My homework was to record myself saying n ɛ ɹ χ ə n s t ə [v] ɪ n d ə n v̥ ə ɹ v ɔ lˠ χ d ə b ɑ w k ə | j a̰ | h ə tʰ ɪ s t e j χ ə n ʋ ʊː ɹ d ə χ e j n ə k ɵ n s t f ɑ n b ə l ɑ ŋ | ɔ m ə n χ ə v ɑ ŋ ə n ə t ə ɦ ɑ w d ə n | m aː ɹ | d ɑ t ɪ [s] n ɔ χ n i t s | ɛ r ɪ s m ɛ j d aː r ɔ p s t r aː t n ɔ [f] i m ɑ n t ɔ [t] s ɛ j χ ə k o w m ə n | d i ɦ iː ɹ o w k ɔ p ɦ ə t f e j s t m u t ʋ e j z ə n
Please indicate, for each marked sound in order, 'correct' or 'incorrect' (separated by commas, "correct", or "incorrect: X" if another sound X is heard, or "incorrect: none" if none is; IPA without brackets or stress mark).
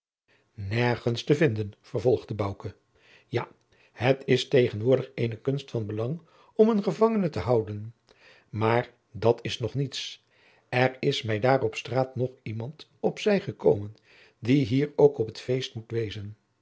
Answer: correct, correct, incorrect: χ, incorrect: p